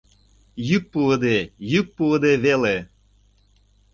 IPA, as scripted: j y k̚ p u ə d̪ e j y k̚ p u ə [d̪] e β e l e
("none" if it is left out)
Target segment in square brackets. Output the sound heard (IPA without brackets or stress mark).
d̪